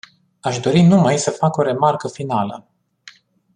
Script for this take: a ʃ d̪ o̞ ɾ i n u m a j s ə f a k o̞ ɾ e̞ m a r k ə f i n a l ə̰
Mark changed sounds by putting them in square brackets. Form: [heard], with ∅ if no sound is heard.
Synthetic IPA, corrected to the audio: a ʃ d̪ o̞ ɾ i n u m a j s ə f a k o̞ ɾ e̞ m a r k ə f i n a l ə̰